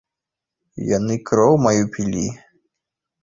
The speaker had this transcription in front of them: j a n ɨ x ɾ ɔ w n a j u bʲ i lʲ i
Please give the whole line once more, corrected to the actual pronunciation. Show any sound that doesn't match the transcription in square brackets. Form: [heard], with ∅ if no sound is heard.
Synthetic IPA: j a n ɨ [k] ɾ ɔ w [m] a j u [pʲ] i lʲ i